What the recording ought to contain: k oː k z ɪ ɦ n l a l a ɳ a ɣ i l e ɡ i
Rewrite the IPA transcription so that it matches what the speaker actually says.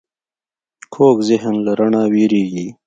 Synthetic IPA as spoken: kʰ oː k z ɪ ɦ n l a ɾ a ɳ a w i ɾ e ɡ i